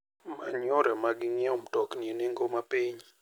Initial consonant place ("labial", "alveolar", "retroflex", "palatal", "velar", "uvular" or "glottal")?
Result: labial